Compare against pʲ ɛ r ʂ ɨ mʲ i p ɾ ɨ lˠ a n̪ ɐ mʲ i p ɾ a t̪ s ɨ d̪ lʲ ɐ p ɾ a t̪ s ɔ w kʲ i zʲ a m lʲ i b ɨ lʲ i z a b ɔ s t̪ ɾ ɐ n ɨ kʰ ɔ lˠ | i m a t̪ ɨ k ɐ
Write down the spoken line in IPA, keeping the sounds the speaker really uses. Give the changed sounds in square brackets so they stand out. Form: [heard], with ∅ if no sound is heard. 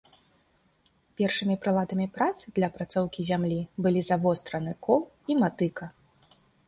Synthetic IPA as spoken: pʲ ɛ r ʂ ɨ mʲ i p ɾ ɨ lˠ a [d̪] ɐ mʲ i p ɾ a t̪ s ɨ d̪ lʲ ɐ p ɾ a t̪ s ɔ w kʲ i zʲ a m lʲ i b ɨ lʲ i z a [v] ɔ s t̪ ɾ ɐ n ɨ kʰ ɔ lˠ | i m a t̪ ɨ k ɐ